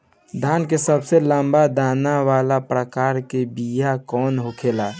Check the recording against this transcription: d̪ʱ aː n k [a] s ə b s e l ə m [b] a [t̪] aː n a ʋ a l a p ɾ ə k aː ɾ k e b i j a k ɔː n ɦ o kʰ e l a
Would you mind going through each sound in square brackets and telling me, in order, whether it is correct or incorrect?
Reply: incorrect, correct, incorrect

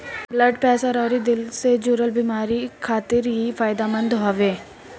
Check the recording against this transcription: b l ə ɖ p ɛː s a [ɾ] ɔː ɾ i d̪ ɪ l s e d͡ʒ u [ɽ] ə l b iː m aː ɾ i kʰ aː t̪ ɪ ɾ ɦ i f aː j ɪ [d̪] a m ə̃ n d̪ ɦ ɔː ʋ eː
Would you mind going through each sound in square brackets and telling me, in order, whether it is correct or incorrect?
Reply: correct, incorrect, correct

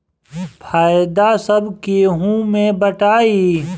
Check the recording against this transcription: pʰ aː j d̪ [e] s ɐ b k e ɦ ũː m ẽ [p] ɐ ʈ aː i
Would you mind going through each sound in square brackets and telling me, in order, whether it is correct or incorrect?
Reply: incorrect, incorrect

